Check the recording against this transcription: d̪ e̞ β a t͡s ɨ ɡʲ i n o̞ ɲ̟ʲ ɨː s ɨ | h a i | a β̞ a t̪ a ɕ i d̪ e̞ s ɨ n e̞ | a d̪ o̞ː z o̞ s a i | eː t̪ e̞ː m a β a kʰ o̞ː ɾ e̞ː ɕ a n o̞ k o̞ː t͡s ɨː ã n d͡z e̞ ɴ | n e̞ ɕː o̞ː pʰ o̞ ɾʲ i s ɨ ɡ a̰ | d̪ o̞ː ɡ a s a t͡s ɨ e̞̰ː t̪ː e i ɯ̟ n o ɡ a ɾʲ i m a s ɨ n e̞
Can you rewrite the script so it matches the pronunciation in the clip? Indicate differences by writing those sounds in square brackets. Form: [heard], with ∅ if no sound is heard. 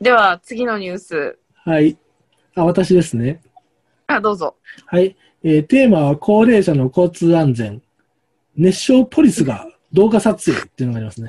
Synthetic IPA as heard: d̪ e̞ β a t͡s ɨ ɡʲ i n o̞ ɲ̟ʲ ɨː s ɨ | h a i | a β̞ a t̪ a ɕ i d̪ e̞ s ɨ n e̞ | a d̪ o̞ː z o̞ [h] a i | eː t̪ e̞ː m a β a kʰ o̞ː ɾ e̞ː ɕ a n o̞ k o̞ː t͡s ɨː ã n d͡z [ẽ̞] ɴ | n e̞ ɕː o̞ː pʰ o̞ ɾʲ i s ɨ ɡ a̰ | d̪ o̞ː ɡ a s a t͡s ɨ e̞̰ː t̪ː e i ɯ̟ n o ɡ a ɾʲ i m a s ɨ n e̞